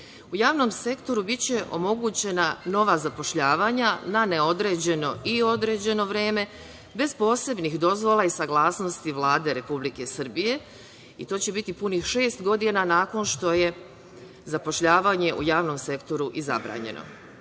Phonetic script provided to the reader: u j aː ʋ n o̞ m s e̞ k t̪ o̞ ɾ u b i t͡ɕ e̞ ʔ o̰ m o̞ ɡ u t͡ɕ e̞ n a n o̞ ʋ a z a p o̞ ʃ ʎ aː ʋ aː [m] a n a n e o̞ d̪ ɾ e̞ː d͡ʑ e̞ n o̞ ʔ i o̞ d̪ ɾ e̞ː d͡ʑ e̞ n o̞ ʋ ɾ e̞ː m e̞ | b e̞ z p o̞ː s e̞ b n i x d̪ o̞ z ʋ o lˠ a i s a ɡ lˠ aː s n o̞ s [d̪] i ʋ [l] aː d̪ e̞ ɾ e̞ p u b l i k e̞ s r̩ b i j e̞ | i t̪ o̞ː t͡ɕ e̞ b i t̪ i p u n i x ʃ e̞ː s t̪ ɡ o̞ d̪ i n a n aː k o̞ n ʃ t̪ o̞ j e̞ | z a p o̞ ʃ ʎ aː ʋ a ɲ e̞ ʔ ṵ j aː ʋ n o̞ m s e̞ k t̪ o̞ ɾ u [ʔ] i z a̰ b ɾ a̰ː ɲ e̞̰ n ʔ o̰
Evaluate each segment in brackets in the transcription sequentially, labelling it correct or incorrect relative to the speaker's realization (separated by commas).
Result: incorrect, incorrect, correct, correct